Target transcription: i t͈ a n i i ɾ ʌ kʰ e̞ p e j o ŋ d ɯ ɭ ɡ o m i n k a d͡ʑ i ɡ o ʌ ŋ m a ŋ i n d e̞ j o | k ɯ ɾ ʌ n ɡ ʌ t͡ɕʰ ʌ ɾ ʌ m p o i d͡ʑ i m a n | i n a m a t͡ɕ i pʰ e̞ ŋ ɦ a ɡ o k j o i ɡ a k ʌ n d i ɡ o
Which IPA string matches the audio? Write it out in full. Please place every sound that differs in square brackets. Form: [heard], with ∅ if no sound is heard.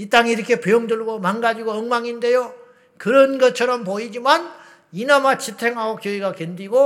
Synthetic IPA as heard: i t͈ a [ŋ] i i ɾ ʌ kʰ e̞ p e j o ŋ d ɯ ɭ ɡ o m [a] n [ɡ] a d͡ʑ i ɡ o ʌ ŋ m a ŋ i n d e̞ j o | k ɯ ɾ ʌ n ɡ ʌ t͡ɕʰ ʌ ɾ ʌ m p o i d͡ʑ i m a n | i n a m a t͡ɕ i [tʰ] e̞ ŋ ɦ a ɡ o k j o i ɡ a k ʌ n d i ɡ o